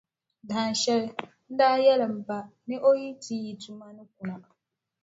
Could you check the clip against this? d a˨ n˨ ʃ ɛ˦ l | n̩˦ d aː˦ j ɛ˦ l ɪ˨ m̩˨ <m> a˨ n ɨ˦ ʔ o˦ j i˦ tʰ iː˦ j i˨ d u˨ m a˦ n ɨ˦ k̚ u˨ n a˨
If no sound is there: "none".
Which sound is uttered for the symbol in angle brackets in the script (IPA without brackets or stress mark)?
b